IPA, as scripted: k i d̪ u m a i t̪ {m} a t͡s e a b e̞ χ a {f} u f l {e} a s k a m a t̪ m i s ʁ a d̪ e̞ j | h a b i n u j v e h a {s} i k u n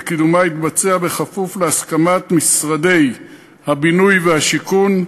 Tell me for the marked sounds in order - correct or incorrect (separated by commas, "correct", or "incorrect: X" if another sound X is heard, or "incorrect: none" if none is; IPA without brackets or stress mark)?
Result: incorrect: b, correct, correct, incorrect: ʃ